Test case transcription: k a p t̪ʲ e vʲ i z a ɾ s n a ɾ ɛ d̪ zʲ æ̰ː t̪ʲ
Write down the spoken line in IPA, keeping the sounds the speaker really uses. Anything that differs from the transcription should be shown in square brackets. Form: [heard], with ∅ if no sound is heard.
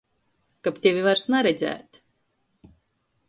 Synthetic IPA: k a p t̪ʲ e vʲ i [v] a ɾ s n a ɾ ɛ d̪ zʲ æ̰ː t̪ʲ